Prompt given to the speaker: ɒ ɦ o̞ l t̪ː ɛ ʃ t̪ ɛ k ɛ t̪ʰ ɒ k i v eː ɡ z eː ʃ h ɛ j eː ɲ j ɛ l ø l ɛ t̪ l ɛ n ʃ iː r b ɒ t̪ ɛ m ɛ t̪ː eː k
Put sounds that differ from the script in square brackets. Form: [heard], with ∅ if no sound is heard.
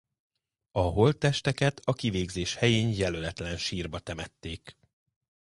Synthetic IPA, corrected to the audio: ɒ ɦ o̞ l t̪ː ɛ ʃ t̪ ɛ k ɛ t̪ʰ ɒ k i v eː ɡ z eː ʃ h ɛ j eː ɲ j ɛ l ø l ɛ t̪ l ɛ n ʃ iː r b ɒ t̪ ɛ m ɛ t̪ː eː k